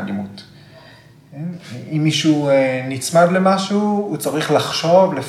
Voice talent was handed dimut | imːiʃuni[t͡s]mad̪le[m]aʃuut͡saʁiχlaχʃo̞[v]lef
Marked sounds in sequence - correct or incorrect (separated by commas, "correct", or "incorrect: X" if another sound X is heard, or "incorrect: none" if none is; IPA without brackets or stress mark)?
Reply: correct, correct, correct